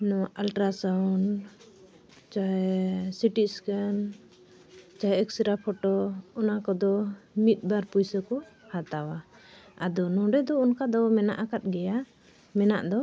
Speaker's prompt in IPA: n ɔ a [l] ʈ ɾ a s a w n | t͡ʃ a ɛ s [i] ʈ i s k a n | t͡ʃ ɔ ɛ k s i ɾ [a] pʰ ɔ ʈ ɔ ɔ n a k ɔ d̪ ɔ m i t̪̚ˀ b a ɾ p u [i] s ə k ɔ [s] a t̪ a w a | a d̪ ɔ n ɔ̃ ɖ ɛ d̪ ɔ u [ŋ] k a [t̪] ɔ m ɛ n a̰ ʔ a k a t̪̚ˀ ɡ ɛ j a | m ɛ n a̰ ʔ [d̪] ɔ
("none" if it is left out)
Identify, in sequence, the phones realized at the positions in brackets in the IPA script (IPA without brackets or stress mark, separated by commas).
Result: l, i, a, j, h, n, d̪, d̪